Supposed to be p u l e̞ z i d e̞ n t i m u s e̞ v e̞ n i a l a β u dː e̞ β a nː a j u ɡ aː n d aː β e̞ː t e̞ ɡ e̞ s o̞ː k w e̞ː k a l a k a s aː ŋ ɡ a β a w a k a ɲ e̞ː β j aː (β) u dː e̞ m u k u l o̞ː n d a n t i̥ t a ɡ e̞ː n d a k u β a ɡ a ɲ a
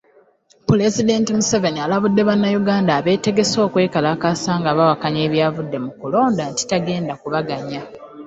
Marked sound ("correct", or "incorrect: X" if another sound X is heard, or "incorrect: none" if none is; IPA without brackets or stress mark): incorrect: v